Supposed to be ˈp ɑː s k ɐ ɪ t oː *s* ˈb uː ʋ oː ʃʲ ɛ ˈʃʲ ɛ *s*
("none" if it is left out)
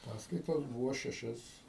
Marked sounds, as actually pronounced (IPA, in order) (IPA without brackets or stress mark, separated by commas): s, s